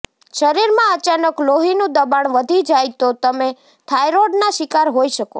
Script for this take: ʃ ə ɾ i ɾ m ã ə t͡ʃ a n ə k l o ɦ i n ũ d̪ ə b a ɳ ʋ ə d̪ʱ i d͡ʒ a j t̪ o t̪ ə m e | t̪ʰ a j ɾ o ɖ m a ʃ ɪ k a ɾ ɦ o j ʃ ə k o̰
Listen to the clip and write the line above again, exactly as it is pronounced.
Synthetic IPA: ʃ ə ɾ i ɾ m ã ə t͡ʃ a n ə k l o ɦ i n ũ d̪ ə b a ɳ ʋ ə d̪ʱ i d͡ʒ a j t̪ o t̪ ə m e | t̪ʰ a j ɾ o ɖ n a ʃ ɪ k a ɾ ɦ o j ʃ ə k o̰

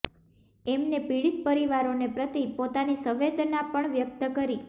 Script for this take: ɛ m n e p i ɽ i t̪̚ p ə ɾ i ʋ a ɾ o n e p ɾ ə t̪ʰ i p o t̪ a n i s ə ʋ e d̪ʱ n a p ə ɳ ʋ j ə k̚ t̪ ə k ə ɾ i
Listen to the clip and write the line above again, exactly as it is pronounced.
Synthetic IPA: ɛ m n e p i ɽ i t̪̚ p ə ɾ i ʋ a ɾ o n e p ɾ ə t̪ i p o t̪ a n i s ə ʋ e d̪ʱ n a p ə ɳ ʋ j ə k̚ t̪ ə k ə ɾ i

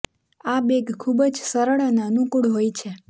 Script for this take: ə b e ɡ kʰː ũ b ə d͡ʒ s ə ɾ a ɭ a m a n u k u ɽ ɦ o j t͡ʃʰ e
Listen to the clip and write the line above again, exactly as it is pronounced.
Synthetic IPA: a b e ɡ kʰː u b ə d͡ʒ s ə ɾ ə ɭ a n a n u k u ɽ ɦ o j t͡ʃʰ e

